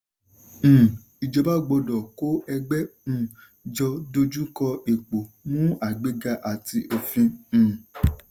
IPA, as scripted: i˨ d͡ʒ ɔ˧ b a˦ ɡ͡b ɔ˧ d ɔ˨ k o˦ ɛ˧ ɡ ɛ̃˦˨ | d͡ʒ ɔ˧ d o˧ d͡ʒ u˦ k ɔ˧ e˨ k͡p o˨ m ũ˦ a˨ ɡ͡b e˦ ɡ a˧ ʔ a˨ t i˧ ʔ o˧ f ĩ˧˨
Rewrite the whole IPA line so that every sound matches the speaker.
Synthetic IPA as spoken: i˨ d͡ʒ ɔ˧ b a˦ ɡ͡b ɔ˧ d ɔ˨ k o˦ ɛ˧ ɡ͡b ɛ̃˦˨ | d͡ʒ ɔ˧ d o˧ d͡ʒ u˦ k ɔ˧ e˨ k͡p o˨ m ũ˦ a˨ ɡ͡b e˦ ɡ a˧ ʔ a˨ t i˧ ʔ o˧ f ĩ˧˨